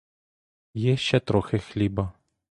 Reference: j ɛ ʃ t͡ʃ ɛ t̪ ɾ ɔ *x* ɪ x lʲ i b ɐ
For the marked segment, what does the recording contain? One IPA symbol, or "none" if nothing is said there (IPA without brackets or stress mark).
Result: x